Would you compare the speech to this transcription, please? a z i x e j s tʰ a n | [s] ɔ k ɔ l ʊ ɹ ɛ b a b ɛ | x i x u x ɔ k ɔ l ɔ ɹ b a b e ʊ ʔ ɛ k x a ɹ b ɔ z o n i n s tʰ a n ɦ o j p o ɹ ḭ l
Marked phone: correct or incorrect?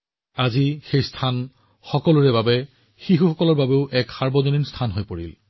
incorrect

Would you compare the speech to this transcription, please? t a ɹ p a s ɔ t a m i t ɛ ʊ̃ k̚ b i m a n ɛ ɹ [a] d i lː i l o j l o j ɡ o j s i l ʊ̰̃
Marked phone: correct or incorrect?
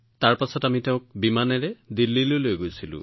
incorrect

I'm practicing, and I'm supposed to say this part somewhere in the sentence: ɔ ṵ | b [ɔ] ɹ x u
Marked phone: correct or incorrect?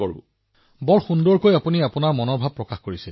correct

